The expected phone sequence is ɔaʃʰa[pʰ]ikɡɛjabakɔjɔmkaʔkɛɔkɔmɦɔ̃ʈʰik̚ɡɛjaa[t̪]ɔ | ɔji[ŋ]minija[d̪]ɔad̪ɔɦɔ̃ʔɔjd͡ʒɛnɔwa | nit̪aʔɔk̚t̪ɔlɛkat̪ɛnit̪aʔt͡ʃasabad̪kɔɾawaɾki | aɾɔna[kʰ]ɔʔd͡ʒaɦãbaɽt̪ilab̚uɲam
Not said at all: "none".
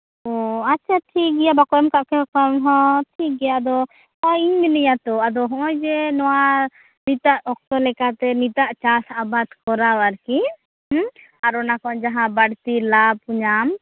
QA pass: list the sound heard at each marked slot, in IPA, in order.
ʈʰ, d̪, ɲ, t̪, k

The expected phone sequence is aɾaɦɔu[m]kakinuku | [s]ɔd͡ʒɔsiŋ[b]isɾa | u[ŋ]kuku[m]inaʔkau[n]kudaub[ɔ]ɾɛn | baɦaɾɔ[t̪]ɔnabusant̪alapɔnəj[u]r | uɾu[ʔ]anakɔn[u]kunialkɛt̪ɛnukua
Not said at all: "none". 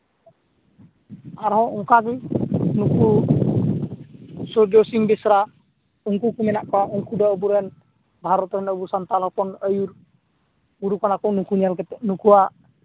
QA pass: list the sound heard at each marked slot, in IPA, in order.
ŋ, s, b, ŋ, m, ŋ, u, t̪, u, k, u

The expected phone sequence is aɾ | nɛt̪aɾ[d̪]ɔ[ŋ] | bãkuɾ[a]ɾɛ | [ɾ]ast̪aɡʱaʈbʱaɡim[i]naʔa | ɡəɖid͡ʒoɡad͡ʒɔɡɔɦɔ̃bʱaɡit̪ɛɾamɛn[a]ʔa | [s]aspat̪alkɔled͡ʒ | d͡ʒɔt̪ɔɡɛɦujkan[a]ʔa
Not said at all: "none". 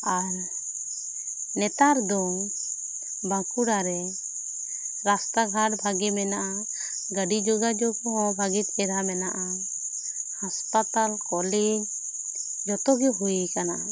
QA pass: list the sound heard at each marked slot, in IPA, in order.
d̪, ŋ, a, ɾ, ɛ, a, h, a

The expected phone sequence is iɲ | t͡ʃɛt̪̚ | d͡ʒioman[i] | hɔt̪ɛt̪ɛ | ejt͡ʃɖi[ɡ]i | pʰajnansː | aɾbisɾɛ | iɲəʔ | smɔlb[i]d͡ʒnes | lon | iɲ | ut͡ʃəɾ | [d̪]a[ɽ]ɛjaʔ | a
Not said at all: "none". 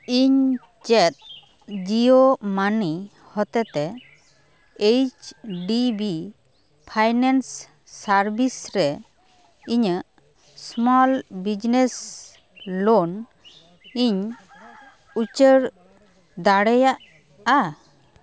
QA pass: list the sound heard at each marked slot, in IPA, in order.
i, b, i, d̪, ɽ

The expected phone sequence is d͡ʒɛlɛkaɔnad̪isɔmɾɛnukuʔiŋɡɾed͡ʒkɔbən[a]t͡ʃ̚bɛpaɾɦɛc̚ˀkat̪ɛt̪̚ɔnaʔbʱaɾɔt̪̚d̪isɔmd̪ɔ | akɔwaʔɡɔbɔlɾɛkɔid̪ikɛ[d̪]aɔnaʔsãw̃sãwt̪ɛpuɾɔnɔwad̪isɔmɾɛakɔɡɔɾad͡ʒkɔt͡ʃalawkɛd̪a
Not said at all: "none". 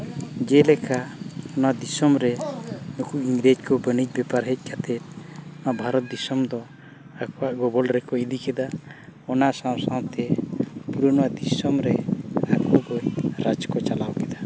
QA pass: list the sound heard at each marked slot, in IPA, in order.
i, d̪

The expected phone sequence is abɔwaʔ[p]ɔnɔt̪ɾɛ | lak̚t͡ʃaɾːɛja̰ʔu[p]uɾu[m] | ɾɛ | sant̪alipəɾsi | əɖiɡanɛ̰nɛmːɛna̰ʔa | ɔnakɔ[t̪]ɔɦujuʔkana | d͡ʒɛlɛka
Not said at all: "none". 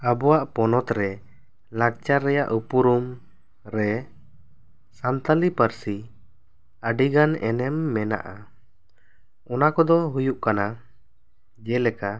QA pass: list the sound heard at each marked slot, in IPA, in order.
p, p, m, d̪

